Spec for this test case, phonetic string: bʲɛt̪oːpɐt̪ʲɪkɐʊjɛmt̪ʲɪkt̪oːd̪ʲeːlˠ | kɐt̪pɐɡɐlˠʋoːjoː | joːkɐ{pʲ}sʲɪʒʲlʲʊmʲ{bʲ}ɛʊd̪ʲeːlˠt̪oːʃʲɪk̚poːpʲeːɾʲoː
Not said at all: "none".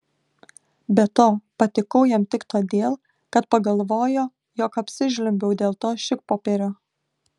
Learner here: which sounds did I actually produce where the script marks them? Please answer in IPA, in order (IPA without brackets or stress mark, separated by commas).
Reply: pʲ, bʲ